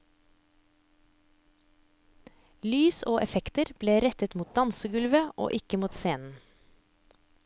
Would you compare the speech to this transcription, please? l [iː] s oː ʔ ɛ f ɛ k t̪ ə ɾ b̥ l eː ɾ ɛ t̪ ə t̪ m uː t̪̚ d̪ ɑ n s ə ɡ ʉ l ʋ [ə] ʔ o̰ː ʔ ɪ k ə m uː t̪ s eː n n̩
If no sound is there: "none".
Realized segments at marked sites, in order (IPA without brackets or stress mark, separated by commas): yː, ə